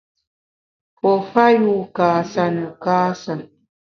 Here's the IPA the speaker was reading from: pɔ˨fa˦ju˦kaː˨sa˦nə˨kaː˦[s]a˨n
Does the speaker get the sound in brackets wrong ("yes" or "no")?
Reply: no